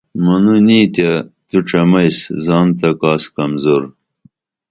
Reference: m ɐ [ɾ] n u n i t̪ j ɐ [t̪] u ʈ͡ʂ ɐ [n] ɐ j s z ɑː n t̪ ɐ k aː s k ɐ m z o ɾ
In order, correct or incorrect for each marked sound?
incorrect, correct, incorrect

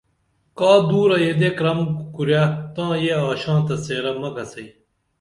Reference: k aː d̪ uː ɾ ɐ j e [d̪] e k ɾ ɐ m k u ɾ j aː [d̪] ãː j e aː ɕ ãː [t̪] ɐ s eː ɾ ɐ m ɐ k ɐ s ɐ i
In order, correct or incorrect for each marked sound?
correct, incorrect, correct

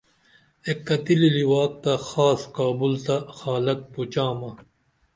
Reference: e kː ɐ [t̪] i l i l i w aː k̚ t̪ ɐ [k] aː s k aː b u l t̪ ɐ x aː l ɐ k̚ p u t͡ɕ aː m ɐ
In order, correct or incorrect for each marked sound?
correct, incorrect

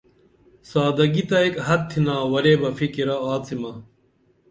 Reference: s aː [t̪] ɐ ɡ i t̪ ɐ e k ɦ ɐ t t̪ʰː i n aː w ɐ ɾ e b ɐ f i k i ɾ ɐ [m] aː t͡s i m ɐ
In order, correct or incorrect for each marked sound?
incorrect, incorrect

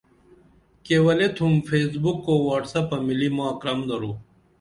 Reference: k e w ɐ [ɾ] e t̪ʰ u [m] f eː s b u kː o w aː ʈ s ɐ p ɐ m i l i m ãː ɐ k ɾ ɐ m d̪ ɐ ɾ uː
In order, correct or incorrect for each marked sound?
incorrect, correct

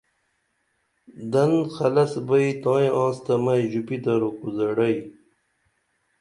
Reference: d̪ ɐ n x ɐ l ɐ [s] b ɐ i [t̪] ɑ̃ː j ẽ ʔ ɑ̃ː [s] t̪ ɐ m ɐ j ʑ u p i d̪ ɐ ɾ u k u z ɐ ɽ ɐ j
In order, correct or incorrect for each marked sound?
correct, correct, correct

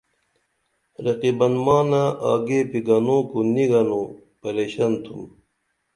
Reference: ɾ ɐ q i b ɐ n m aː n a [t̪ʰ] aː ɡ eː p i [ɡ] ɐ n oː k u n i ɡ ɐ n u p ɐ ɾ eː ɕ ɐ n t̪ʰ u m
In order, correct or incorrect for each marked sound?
incorrect, correct

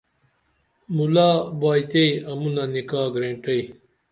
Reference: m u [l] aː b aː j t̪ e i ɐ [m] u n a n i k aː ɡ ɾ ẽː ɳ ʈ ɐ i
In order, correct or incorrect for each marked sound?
correct, correct

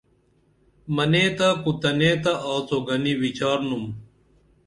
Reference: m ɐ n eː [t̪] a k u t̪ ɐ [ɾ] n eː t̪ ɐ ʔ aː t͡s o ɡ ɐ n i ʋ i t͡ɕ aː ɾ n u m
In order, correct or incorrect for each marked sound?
correct, incorrect

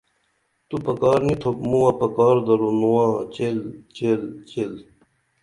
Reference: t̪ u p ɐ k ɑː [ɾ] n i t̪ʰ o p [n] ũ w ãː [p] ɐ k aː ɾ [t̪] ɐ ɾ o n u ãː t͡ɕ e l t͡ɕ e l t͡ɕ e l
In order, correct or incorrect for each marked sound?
correct, incorrect, correct, incorrect

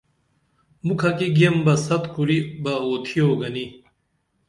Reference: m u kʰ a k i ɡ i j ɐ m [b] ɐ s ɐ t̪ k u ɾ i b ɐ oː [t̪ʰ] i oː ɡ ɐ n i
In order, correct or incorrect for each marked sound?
correct, correct

